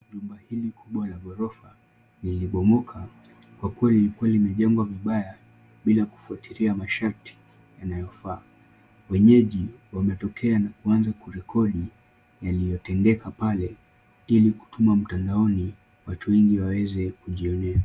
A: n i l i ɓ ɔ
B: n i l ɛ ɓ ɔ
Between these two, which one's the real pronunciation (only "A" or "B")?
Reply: A